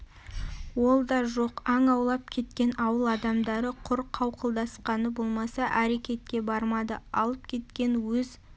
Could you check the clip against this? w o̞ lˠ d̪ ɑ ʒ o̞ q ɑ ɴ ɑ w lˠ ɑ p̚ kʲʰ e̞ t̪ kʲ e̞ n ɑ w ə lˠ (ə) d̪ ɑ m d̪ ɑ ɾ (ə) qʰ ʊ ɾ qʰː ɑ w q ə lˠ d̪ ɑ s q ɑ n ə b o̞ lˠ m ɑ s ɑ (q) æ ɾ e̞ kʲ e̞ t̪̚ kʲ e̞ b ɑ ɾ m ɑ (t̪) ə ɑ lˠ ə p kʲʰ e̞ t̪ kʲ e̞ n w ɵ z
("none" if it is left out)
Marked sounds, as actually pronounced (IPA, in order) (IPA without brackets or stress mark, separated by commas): ɑ, ə, ʔ, d̪